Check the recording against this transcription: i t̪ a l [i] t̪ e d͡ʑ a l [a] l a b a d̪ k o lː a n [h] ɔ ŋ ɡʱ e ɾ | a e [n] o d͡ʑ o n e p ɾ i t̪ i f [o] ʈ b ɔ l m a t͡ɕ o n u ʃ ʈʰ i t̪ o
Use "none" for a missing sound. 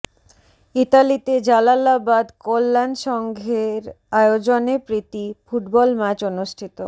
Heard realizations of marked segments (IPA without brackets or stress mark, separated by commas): i, a, ʃ, none, u